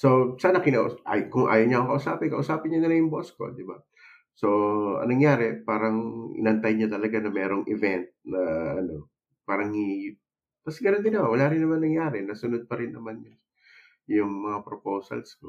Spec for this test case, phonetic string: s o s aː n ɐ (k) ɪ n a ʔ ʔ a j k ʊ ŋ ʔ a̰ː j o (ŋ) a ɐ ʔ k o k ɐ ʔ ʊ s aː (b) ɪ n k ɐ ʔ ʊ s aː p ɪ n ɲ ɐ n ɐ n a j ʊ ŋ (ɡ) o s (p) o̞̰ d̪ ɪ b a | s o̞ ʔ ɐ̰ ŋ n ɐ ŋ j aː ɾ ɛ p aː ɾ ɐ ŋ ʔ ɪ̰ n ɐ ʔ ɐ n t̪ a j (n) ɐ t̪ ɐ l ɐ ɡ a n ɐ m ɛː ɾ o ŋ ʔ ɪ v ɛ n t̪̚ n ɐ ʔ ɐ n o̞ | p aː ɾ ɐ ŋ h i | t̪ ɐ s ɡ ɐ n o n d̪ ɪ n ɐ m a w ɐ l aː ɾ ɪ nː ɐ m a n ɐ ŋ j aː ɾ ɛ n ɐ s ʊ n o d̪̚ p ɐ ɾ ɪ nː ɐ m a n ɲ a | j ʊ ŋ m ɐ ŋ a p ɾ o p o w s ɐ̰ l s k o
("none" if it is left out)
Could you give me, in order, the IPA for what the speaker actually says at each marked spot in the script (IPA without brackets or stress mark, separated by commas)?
k, ɲ, p, b, k, ɲ